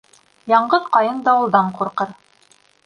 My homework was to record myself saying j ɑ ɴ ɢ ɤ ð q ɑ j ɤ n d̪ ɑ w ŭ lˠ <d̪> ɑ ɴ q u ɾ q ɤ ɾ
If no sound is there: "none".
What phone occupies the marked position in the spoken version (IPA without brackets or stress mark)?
d̪